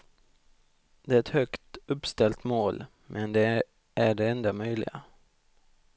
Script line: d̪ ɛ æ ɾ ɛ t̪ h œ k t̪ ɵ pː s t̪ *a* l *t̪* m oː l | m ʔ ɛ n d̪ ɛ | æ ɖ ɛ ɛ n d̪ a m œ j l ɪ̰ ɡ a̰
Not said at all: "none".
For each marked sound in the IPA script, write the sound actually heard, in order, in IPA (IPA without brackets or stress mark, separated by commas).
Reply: ɛ, t̪